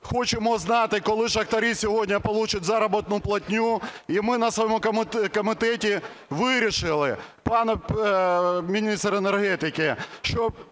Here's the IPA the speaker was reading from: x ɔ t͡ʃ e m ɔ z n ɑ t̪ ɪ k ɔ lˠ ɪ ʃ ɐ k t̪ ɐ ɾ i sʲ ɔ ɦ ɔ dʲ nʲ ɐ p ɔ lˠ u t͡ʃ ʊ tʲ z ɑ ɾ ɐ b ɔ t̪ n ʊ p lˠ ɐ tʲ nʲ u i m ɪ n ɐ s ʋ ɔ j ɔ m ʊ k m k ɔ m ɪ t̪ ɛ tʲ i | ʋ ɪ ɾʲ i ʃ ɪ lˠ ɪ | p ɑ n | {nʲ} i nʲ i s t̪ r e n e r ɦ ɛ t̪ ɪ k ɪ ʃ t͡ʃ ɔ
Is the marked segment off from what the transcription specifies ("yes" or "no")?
yes